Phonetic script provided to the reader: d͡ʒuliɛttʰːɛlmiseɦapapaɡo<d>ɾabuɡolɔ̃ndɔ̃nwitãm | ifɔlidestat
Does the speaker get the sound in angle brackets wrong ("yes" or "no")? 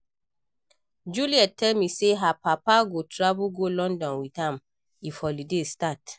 yes